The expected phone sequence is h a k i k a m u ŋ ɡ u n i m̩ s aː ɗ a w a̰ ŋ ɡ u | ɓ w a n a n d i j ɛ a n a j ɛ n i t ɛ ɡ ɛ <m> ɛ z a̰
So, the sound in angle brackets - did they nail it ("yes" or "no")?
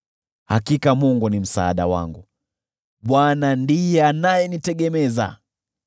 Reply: yes